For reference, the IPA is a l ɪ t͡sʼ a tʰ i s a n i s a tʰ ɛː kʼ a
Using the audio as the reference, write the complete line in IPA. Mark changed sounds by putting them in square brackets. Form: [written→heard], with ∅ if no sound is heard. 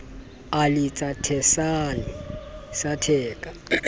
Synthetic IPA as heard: a l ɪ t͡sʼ a tʰ [i→ɛ] s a n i s a tʰ ɛː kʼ a

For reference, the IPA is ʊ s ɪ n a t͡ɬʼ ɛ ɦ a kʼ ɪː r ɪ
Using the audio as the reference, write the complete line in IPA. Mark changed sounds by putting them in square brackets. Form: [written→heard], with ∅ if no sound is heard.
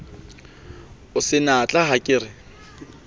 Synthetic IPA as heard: ʊ s ɪ n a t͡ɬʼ [ɛ→a] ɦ a kʼ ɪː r ɪ

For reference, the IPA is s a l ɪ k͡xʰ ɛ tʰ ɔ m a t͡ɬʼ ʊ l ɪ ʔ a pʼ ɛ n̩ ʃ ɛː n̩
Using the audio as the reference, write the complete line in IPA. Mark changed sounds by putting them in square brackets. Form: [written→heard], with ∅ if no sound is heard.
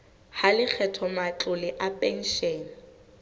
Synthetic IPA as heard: [s→h] a l ɪ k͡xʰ ɛ tʰ ɔ m a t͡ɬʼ ʊ l ɪ ʔ a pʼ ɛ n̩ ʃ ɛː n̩

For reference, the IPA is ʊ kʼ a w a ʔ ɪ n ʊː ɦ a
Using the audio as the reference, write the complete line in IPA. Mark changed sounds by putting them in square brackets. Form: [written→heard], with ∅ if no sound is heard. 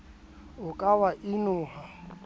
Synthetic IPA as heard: ʊ kʼ a w a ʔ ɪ n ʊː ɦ a

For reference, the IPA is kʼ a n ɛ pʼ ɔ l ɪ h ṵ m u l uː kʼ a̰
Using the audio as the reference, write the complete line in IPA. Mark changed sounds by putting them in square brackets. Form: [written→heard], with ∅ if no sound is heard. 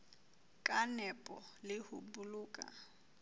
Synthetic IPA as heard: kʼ a n ɛ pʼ ɔ l ɪ h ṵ [m→b] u l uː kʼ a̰

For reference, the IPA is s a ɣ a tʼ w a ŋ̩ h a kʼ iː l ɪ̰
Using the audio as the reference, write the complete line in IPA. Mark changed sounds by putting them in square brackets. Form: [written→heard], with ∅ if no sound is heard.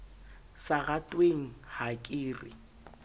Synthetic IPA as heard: s a ɣ a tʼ w [a→e] ŋ̩ h a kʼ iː [l→r] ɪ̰

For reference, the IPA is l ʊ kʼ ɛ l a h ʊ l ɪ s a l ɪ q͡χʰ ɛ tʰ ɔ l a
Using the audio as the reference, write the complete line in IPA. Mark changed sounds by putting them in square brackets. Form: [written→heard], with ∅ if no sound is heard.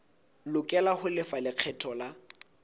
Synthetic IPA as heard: l ʊ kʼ ɛ l a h ʊ l ɪ [s→f] a l ɪ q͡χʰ ɛ tʰ ɔ l a

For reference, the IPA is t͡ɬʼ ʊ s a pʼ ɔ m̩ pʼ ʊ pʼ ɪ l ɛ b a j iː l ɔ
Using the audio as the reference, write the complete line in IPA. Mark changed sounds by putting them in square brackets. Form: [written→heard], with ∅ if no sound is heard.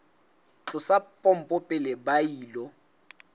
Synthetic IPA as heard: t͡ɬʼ ʊ s a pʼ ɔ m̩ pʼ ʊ pʼ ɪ l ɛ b a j iː l ɔ

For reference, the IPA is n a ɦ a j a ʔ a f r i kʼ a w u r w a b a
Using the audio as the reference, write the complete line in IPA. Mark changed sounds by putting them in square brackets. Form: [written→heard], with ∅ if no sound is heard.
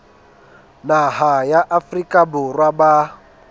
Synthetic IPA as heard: n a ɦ a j a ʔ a f r i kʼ a [w→b] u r w a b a

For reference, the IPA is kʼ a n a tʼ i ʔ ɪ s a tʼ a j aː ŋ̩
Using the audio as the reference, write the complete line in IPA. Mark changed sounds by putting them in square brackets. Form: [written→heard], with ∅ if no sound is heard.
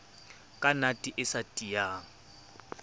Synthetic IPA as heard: kʼ a n a tʼ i ʔ ɪ s a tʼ [a→i] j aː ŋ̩

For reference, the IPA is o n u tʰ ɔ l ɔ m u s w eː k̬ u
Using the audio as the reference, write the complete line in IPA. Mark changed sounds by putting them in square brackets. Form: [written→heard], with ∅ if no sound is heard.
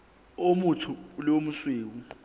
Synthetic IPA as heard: o [n→m] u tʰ [ɔ→u] l [ɔ→o] m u s w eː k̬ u

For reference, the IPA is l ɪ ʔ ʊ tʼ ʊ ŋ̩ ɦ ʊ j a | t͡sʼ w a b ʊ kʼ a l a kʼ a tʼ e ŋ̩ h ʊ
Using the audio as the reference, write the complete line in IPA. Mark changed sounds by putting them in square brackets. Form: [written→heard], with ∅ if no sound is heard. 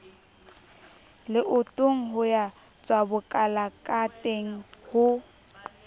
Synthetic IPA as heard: l ɪ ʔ ʊ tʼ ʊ ŋ̩ ɦ ʊ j a | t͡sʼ w a b ʊ kʼ a l a kʼ a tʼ e ŋ̩ h ʊ

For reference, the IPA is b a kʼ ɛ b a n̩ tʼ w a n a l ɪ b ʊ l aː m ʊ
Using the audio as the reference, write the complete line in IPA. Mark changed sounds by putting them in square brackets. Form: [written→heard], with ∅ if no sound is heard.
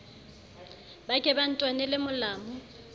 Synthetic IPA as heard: b a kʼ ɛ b a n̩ tʼ w a n [a→ɛ] l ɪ [b→m] ʊ l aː m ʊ

